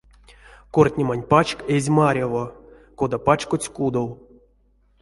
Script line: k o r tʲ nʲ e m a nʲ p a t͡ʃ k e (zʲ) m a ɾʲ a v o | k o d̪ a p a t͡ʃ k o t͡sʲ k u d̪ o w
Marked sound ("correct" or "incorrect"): correct